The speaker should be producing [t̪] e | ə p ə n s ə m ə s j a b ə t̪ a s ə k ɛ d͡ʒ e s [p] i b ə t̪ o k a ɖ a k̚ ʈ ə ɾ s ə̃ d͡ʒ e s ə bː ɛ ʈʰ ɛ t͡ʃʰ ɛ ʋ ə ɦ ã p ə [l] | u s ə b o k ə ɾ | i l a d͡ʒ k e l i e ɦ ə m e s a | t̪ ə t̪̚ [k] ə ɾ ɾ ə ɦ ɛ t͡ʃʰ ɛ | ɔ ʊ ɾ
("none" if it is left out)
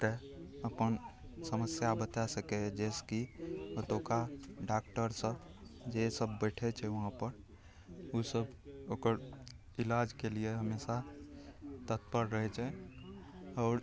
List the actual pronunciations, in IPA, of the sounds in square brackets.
t̪, k, ɾ, p

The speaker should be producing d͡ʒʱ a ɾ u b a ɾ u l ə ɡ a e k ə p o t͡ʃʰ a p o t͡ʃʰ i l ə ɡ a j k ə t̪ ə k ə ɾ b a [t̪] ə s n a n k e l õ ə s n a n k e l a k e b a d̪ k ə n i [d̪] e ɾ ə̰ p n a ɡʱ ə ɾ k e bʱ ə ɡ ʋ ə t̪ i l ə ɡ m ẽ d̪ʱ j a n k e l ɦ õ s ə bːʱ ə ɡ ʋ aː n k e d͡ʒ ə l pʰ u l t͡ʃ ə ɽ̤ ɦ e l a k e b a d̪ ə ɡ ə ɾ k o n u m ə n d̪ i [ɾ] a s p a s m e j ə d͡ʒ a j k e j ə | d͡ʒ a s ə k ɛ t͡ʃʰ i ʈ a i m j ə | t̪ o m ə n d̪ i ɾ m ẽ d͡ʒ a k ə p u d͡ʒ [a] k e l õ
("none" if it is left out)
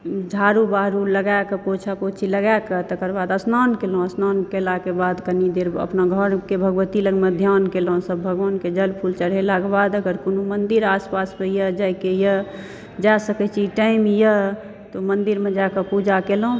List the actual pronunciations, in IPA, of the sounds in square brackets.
d̪, d̪, ɾ, a

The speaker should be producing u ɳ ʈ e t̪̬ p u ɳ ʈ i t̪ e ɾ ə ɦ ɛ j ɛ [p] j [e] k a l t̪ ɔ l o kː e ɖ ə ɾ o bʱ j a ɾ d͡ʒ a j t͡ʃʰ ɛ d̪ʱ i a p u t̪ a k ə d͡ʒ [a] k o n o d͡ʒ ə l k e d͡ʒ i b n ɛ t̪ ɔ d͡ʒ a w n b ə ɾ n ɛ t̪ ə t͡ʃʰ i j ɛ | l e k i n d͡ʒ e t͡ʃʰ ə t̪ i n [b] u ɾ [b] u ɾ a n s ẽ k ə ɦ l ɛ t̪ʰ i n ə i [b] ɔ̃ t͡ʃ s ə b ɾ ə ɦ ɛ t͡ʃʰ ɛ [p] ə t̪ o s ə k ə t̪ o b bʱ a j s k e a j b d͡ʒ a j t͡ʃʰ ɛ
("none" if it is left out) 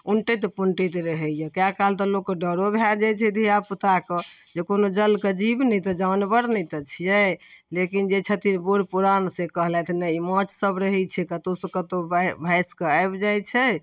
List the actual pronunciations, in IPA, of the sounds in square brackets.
k, a, e, b, p, m, k

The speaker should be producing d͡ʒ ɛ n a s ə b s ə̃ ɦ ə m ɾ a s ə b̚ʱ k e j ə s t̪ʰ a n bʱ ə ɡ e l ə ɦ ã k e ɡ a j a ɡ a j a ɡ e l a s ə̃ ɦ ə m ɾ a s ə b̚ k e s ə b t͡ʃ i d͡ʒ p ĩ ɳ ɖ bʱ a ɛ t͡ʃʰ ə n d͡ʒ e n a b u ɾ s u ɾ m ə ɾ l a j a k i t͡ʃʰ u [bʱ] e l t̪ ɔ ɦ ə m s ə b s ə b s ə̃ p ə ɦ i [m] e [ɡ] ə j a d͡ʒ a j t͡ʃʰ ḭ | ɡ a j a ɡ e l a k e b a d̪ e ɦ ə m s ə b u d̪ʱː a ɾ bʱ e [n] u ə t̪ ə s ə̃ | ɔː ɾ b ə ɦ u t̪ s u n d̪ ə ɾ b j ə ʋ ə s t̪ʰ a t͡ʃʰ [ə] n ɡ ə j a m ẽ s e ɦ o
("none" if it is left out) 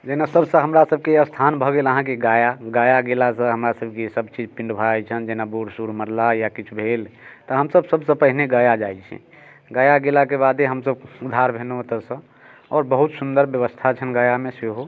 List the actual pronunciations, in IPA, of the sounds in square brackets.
bʱ, n, ɡ, n, ə

